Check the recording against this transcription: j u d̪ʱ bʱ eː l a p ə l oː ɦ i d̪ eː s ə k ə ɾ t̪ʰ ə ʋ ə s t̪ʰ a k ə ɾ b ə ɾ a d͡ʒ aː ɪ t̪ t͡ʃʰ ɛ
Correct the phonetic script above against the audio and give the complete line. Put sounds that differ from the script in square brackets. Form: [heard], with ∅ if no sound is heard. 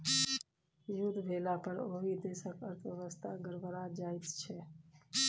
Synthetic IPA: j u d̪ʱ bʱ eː l a p ə [ɾ] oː ɦ i d̪ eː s ə k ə ɾ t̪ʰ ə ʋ ə s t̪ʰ a [ɡ] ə ɾ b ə ɾ a d͡ʒ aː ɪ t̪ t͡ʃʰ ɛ